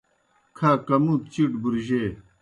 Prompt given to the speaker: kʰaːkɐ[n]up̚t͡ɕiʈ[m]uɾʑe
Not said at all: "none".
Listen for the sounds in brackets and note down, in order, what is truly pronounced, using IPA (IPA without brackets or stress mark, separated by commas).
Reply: m, b